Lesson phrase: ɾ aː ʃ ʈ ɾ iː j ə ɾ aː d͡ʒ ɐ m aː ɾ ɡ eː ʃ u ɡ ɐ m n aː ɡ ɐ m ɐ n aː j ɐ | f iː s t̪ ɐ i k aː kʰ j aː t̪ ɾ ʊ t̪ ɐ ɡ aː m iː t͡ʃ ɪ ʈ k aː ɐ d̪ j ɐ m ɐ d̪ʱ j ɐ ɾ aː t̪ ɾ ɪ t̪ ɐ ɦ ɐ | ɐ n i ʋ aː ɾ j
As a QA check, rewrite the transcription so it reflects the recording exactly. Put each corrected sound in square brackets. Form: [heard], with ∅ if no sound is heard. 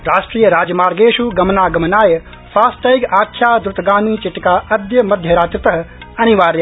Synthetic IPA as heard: ɾ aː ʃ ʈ ɾ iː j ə ɾ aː d͡ʒ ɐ m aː ɾ ɡ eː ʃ u ɡ ɐ m n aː ɡ ɐ m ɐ n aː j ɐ | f [aː] s t̪ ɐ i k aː kʰ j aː [d̪] ɾ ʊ t̪ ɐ ɡ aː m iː t͡ʃ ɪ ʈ k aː ɐ d̪ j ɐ m ɐ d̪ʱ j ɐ ɾ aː t̪ ɾ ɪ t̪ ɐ ɦ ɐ | ɐ n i ʋ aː ɾ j